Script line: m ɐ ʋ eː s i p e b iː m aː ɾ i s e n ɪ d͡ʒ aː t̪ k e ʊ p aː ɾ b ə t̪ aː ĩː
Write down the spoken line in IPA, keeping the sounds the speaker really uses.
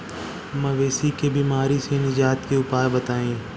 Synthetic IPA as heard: m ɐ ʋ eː s i k e b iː m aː ɾ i s e n ɪ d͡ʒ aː t̪ k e ʊ p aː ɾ b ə t̪ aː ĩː